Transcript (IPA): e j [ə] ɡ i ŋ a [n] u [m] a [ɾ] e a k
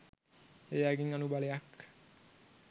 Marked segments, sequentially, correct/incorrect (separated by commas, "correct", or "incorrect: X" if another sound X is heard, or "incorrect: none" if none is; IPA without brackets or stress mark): incorrect: a, correct, incorrect: b, incorrect: l